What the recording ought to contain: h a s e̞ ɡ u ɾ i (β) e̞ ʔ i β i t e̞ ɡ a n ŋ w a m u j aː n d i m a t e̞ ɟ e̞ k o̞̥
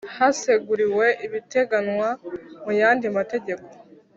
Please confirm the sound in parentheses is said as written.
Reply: no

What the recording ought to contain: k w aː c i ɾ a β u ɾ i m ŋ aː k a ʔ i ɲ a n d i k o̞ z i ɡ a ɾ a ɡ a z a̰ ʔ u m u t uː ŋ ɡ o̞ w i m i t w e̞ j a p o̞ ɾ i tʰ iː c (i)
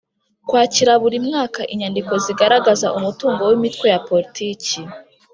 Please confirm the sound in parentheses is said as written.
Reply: yes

